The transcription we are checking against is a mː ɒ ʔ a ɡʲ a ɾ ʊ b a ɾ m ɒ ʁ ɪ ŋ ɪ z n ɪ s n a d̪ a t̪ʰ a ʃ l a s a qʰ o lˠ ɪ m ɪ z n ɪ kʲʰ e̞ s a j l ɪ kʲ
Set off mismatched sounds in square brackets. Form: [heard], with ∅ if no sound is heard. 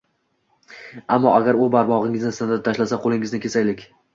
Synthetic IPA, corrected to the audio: a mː ɒ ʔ a ɡʲ a ɾ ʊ b a ɾ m ɒ ʁ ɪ ŋ ɪ z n ɪ s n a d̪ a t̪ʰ a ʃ l a s a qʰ o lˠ ɪ [ŋ] ɪ z n ɪ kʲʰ e̞ s a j l ɪ kʲ